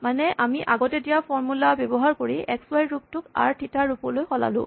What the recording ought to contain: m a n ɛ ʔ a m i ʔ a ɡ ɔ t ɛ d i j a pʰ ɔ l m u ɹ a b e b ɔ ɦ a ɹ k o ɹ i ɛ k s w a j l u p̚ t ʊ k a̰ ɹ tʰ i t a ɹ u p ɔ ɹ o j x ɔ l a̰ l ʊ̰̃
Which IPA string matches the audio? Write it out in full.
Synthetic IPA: m a n ɛ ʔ a m i ʔ a ɡ ɔ t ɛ d i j a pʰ ɔ ɹ m u l a b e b ɔ ɦ a ɹ k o ɹ i ɛ k s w a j ɹ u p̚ t ʊ k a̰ ɹ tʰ i t a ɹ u p ɔ l o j x ɔ l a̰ l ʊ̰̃